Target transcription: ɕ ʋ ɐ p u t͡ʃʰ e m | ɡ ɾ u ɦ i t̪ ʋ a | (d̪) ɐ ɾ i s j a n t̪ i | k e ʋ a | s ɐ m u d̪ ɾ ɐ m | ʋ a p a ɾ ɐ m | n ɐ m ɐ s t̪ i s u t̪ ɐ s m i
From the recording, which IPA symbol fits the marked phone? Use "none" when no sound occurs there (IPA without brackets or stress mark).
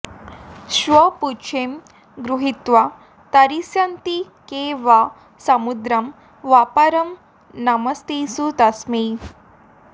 t̪